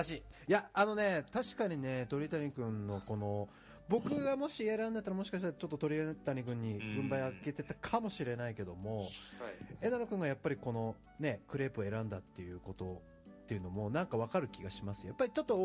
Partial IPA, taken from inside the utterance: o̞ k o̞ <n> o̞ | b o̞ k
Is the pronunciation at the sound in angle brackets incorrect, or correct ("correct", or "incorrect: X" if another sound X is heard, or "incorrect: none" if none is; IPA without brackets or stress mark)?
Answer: correct